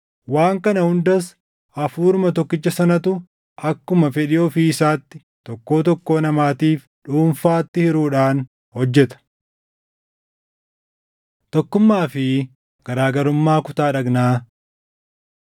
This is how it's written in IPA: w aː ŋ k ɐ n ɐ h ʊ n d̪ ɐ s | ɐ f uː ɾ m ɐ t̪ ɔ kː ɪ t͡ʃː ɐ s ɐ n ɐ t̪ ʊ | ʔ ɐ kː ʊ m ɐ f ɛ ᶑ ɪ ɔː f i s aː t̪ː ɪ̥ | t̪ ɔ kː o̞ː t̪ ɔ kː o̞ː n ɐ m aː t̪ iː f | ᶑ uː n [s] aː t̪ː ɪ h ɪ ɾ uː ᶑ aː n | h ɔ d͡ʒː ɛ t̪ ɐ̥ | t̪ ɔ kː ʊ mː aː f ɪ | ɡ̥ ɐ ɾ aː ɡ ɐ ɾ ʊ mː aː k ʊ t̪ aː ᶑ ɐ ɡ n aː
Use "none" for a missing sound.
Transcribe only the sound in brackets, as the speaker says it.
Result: f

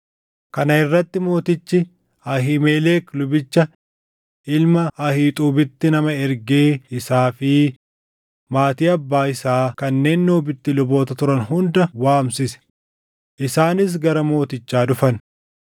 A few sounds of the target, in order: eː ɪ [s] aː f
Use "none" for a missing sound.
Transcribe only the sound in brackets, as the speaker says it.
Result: s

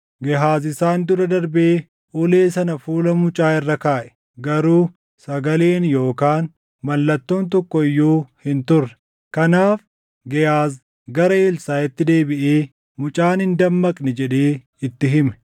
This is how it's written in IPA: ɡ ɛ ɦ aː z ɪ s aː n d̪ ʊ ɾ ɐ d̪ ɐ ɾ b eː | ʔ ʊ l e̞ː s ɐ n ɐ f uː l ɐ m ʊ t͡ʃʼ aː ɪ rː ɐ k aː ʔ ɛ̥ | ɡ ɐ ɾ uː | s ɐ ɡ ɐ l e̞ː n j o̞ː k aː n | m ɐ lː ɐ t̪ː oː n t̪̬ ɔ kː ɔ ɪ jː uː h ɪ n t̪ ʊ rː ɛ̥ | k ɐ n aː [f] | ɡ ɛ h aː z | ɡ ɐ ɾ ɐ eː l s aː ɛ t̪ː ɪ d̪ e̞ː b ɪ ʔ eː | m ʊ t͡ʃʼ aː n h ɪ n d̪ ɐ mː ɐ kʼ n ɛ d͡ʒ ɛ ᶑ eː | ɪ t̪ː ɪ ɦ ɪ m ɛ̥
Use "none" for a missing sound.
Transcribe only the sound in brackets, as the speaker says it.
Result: f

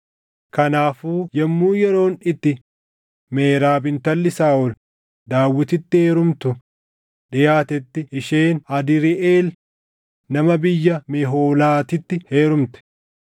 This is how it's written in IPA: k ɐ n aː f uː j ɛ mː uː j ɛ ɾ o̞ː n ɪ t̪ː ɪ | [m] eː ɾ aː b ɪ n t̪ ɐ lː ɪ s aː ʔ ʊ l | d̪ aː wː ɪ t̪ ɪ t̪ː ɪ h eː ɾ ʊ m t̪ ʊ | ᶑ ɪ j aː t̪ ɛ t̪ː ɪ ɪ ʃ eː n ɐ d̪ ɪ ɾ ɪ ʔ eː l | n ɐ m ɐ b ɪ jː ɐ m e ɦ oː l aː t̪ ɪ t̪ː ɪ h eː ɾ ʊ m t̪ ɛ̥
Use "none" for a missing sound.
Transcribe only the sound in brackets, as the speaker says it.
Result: m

